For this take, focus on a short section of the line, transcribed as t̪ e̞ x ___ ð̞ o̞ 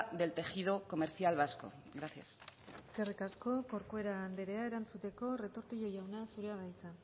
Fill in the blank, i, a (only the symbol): i